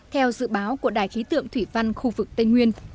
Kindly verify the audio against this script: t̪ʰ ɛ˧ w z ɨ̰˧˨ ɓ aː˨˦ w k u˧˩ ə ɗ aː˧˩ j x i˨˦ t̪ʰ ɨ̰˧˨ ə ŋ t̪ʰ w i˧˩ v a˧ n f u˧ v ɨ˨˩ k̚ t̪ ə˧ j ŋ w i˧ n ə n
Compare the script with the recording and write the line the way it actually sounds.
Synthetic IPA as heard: t̪ʰ ɛ˧ w z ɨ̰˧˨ ɓ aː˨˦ w k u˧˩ ə ɗ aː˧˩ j x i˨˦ t̪ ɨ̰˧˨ ə ŋ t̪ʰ w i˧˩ v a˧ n x u˧ v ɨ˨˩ k̚ t̪ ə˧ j ŋ w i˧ ə n